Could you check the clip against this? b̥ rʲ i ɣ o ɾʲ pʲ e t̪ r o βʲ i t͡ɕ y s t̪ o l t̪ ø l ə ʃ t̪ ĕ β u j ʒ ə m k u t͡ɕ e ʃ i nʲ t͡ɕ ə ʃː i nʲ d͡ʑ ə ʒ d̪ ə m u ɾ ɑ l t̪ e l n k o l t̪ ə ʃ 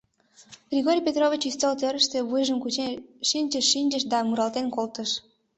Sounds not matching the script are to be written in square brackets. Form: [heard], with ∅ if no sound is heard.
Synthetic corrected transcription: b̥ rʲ i ɣ o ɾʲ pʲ e t̪ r o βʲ i t͡ɕ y s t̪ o l t̪ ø [ɾ] ə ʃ t̪ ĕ β u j ʒ ə m k u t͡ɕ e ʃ i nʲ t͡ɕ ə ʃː i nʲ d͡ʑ ə [ʃ] d̪ [ɑ] m u ɾ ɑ l t̪ e [∅] n k o l t̪ ə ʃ

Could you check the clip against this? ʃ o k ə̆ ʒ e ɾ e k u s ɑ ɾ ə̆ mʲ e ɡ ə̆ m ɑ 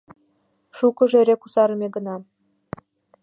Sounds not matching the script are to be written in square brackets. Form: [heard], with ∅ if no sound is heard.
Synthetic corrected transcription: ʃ [u] k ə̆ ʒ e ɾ e k u s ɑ ɾ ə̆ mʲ e ɡ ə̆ [n] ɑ

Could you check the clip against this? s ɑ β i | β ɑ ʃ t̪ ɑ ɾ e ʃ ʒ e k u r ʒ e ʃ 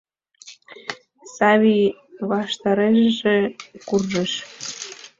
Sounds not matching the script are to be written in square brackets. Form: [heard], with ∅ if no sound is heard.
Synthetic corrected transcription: s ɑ β i | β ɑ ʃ t̪ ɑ ɾ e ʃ ʒ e k u r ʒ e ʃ

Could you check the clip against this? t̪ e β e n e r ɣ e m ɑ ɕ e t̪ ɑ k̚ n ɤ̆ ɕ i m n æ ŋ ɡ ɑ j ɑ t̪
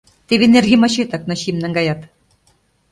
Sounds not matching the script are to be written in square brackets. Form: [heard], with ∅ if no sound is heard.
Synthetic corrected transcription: t̪ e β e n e r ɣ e m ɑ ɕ e t̪ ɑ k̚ n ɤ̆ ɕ i m n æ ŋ ɡ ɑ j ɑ t̪

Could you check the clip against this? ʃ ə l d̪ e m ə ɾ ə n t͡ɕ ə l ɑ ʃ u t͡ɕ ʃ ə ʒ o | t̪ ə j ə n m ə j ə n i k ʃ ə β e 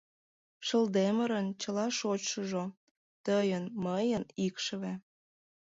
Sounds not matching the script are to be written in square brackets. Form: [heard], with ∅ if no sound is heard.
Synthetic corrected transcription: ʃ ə l d̪ e m ə ɾ ə n t͡ɕ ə l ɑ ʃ [o] t͡ɕ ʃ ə ʒ o | t̪ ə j ə n m ə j ə n i k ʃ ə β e

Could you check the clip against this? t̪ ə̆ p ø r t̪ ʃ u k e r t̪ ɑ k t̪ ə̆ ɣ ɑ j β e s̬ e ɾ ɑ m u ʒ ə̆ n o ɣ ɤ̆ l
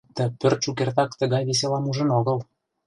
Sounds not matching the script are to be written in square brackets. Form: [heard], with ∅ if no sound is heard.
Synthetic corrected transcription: t̪ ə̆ p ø r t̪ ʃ u k e r t̪ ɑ k t̪ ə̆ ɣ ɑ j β e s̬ e [l] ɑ m u ʒ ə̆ n o ɣ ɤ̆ l

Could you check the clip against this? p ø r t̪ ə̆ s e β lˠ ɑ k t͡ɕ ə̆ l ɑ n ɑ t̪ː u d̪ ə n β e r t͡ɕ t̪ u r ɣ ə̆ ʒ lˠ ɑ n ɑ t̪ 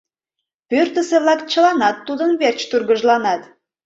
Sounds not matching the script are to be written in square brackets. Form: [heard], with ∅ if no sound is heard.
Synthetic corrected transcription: p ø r t̪ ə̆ s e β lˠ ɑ k t͡ɕ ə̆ l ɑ n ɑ t̪ː u d̪ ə n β e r t͡ɕ t̪ u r ɣ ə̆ ʒ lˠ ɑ n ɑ t̪

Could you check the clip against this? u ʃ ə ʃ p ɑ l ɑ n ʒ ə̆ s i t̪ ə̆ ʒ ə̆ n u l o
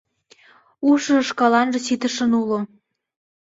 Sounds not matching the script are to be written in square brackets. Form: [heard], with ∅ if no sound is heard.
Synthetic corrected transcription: u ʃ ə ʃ [k] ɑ l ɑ n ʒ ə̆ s i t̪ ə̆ [ʃ] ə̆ n u l o

